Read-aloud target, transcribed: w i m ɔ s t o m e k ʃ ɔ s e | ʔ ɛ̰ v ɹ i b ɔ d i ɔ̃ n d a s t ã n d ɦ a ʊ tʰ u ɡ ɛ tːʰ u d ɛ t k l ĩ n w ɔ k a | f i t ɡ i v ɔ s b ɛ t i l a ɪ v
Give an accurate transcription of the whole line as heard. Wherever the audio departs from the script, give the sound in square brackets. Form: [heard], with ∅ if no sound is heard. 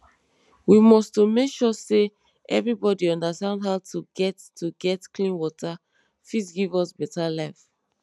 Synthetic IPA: w i m ɔ s t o m e k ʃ ɔ s e | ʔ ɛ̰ v ɹ i b ɔ d i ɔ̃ n d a s t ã n d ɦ a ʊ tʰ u ɡ ɛ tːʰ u [ɡ] ɛ t k l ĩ n w ɔ [t] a | f i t ɡ i v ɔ s b ɛ t [a] l a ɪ [f]